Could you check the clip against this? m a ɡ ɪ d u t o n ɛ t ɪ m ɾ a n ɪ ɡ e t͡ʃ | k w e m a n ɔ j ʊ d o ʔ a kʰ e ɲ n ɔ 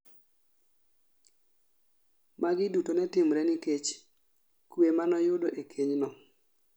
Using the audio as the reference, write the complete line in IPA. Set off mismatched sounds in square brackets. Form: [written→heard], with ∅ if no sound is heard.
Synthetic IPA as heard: m a ɡ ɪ d u t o n ɛ t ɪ m ɾ [a→ɛ] n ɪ [ɡ→k] e t͡ʃ | k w e m a n ɔ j ʊ d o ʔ [a→e] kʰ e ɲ n ɔ